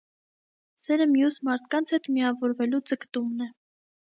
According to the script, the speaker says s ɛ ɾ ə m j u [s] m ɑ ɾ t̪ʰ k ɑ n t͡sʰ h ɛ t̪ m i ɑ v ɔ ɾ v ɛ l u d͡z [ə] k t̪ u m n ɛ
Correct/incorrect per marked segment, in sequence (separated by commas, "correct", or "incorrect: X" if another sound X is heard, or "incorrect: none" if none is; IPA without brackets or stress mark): correct, correct